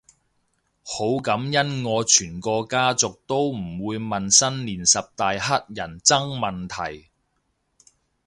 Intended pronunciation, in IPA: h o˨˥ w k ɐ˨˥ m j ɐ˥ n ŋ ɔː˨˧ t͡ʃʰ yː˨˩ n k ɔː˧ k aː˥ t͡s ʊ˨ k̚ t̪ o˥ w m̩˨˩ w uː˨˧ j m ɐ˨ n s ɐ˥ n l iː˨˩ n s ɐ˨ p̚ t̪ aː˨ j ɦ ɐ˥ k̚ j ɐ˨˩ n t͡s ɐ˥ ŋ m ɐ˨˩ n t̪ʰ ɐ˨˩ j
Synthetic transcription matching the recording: h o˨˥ w k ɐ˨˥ m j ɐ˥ n ŋ ɔː˨˧ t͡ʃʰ yː˨˩ n k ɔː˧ k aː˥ t͡s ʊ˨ k̚ t̪ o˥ w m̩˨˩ w uː˨˧ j m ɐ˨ n s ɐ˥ n l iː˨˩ n s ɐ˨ p̚ t̪ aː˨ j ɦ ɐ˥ t̚ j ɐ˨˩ n t͡s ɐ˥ ŋ m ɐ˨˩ n t̪ʰ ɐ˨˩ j